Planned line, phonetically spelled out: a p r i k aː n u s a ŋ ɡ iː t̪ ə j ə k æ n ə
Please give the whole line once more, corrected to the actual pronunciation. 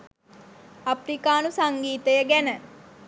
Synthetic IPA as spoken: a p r i k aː n u s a ŋ ɡ iː t̪ ə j ə ɡ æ n ə